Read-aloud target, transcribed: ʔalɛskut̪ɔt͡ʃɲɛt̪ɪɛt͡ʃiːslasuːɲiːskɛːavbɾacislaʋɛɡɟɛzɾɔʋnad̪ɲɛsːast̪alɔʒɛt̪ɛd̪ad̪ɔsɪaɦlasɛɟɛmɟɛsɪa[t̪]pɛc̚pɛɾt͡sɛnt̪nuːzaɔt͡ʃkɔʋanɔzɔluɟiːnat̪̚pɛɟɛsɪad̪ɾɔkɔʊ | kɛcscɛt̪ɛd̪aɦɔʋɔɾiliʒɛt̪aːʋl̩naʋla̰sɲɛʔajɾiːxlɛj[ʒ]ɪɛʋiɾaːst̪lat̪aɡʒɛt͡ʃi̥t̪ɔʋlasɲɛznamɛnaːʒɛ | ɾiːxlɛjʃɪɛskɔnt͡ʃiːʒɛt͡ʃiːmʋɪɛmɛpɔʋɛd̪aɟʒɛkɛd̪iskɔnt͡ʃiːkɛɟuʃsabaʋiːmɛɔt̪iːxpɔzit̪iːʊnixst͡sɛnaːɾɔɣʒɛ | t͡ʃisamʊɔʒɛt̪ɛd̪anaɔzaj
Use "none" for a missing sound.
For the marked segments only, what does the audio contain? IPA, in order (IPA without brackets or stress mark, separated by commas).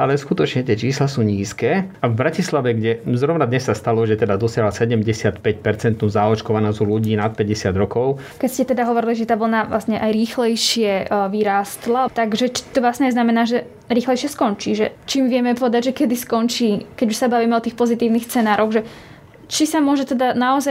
t̪, ʃ